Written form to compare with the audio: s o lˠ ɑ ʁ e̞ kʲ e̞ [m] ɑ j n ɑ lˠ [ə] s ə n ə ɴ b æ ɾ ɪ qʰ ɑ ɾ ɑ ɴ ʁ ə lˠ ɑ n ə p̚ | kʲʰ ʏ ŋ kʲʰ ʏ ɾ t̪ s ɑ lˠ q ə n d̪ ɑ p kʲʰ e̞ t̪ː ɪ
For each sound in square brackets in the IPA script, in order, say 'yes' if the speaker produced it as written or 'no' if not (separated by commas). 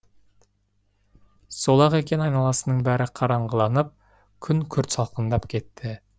no, no